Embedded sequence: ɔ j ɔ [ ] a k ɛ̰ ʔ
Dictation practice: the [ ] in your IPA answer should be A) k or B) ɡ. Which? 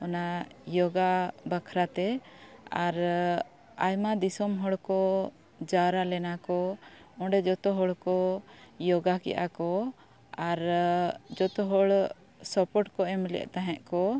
B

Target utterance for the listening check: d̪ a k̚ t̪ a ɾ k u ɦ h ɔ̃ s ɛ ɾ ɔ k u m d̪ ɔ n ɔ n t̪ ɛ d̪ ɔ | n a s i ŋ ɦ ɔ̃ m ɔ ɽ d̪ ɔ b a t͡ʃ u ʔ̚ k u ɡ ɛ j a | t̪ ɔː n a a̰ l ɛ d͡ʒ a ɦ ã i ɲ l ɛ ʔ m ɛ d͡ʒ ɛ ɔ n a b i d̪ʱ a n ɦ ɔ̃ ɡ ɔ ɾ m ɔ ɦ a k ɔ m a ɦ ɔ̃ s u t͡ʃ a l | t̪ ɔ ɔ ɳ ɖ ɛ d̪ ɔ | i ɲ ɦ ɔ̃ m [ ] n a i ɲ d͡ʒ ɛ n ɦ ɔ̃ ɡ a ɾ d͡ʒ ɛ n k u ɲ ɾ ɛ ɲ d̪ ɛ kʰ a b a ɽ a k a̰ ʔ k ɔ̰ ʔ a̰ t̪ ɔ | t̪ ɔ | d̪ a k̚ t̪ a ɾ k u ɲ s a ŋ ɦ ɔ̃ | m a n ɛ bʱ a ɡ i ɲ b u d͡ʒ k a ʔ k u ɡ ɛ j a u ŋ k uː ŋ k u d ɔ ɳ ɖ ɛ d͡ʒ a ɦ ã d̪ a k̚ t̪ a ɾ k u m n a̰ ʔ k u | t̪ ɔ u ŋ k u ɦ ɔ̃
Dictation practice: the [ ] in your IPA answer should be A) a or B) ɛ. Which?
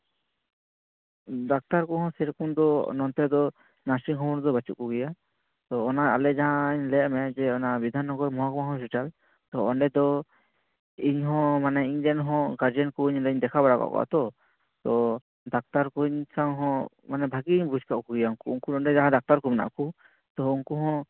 A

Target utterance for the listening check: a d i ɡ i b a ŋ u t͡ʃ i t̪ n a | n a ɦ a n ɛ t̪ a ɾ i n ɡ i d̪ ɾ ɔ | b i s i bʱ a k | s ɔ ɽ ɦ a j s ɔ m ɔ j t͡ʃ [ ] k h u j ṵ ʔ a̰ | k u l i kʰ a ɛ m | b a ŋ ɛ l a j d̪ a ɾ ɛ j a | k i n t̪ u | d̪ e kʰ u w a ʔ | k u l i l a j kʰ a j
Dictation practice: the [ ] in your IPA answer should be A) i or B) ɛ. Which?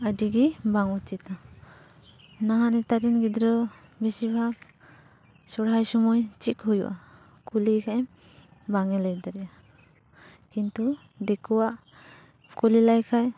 A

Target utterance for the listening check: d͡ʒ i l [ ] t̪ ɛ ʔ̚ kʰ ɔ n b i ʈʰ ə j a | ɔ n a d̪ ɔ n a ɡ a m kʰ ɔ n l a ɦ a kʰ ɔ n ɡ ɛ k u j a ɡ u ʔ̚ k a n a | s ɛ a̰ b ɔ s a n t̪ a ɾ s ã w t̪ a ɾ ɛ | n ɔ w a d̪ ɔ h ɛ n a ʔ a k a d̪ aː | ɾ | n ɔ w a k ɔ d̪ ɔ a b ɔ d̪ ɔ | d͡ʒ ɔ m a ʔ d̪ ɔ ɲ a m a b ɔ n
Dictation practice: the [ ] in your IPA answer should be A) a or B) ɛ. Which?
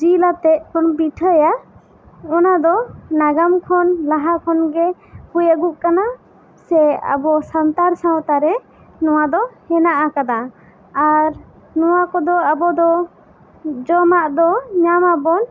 A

